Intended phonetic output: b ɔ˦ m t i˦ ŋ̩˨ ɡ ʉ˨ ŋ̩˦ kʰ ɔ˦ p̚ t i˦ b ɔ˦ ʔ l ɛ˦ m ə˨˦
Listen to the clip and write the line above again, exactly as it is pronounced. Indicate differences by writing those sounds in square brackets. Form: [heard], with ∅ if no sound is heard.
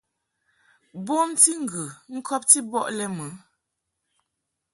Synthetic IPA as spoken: b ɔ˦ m t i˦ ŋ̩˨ ɡ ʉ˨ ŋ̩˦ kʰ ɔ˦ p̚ t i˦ b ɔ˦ ʔ l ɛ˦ m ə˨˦